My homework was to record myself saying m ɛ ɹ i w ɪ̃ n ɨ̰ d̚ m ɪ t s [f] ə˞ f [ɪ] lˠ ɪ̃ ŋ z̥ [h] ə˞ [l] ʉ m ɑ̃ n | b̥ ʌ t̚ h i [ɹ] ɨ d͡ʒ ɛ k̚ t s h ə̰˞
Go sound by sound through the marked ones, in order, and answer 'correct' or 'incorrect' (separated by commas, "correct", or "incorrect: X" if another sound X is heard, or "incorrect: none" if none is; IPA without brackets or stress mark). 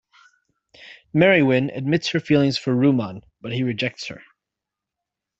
incorrect: h, incorrect: i, incorrect: f, incorrect: ɹ, correct